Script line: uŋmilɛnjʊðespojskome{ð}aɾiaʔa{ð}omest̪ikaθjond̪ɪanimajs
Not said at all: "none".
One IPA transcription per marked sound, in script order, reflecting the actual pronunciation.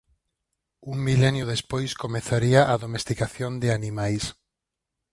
θ, ð

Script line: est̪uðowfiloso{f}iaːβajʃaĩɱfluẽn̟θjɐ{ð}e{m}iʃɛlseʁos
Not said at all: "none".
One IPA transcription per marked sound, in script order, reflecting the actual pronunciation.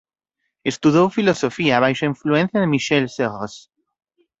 f, ð, m

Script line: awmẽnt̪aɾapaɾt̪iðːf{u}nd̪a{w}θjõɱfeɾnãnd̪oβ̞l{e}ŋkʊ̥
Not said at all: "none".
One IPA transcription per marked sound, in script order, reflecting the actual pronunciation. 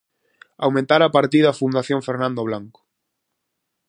u, none, a

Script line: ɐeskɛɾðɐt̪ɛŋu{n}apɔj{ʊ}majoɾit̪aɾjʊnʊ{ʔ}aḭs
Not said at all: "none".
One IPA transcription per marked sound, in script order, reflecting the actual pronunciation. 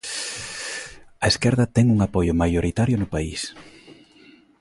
ŋ, ʊ, p

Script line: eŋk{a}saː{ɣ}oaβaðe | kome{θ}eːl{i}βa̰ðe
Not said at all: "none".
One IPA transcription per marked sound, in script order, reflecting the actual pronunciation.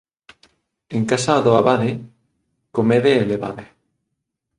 a, ð, ð, e

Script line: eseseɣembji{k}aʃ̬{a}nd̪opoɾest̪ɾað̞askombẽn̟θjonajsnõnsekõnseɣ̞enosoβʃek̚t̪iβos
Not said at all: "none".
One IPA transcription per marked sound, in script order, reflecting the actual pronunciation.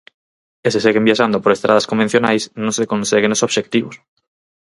none, a

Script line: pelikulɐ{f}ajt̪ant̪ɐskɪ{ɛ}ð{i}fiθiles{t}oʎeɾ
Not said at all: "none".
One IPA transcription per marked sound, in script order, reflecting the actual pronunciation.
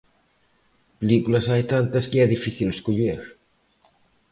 s, ɛ, i, k

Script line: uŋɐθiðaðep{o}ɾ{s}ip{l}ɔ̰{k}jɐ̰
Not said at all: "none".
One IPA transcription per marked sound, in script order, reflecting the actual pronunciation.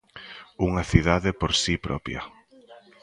o, s, ɾ, p

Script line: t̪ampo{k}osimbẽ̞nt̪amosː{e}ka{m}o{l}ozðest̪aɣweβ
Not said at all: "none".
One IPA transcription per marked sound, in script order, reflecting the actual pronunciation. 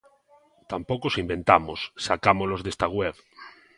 k, a, m, l

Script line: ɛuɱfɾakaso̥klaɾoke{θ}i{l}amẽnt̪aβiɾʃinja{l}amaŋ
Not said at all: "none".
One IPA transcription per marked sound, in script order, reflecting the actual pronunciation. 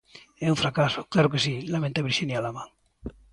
s, l, l

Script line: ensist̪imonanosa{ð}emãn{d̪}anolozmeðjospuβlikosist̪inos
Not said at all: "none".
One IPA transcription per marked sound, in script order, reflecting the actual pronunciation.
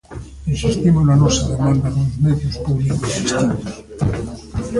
ð, d̪

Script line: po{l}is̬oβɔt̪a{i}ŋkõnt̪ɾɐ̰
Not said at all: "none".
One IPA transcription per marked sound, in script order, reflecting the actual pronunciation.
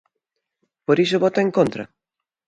ɾ, e

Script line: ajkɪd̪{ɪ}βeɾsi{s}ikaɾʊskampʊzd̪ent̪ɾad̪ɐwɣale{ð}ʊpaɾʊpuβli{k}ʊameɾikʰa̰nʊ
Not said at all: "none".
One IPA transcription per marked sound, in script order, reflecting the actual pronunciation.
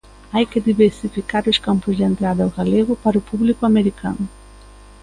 i, f, ɣ, k

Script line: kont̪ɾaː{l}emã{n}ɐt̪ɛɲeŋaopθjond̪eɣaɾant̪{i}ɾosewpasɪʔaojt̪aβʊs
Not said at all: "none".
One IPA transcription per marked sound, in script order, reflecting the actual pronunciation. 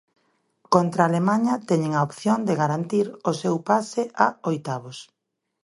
l, ɲ, i

